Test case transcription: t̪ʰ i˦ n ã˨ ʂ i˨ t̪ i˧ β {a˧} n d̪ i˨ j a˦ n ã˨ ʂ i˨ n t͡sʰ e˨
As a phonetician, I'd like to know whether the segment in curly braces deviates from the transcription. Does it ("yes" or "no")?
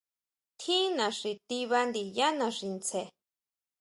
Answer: no